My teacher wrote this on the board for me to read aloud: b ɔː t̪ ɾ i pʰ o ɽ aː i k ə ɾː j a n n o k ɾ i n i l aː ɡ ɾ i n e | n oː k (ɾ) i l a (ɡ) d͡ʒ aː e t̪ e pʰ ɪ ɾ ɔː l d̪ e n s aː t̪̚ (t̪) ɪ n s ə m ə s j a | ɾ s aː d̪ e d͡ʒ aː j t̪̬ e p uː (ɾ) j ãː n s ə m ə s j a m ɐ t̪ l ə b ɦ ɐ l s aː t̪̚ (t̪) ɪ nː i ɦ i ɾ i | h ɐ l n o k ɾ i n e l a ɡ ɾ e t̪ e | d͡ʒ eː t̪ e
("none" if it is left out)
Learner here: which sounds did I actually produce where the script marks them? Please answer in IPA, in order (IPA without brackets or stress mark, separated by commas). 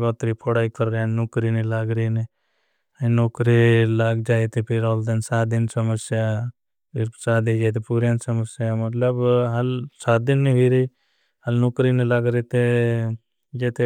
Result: ɾ, ɡ, d̪, ɾ, d̪